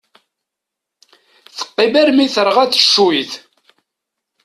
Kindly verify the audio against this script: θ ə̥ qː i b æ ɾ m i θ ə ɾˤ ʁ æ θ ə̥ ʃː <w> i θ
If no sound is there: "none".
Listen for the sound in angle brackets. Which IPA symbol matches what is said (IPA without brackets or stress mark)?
u